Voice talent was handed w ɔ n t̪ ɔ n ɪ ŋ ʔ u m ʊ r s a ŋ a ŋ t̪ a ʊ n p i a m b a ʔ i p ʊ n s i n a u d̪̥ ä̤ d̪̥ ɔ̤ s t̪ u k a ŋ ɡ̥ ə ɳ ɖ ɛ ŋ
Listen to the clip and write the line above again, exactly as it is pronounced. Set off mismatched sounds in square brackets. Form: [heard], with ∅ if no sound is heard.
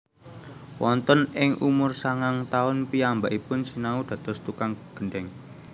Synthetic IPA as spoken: w ɔ n t̪ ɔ n ɪ ŋ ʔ u m ʊ r s a ŋ a ŋ t̪ a ʊ n p i a m b a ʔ i p ʊ n s i n a u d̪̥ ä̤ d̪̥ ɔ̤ s t̪ u k a ŋ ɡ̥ ə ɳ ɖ ɛ ŋ